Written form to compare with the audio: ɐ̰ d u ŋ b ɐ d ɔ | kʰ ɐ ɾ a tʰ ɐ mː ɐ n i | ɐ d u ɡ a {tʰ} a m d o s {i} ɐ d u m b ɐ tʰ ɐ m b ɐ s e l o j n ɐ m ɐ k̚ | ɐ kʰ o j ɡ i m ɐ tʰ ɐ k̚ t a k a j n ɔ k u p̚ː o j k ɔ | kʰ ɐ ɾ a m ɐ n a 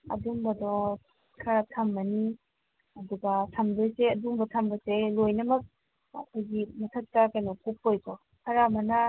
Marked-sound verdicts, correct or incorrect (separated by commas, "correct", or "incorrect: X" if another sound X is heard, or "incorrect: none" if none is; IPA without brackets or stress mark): correct, incorrect: e